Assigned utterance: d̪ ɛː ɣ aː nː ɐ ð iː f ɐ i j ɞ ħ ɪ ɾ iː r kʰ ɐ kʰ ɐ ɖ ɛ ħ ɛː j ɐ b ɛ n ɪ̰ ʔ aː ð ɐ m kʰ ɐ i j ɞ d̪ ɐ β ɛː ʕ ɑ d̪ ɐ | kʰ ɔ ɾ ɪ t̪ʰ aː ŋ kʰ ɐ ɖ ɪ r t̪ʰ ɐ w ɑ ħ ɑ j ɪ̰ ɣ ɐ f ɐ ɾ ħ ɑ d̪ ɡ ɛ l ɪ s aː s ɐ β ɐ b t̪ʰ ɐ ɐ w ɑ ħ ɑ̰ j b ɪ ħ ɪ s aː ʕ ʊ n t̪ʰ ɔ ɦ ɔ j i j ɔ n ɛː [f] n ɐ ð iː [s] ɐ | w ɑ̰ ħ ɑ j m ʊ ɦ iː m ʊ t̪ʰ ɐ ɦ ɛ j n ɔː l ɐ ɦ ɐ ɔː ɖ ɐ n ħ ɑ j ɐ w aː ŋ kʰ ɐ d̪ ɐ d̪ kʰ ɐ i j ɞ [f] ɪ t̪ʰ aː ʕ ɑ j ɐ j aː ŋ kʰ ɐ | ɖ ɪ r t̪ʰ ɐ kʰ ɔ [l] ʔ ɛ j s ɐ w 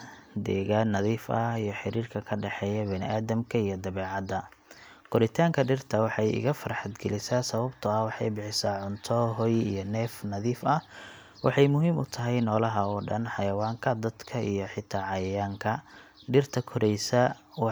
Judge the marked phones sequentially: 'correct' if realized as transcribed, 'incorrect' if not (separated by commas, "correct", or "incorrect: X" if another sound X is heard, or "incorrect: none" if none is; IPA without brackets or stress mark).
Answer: correct, incorrect: f, incorrect: ħ, incorrect: ɾ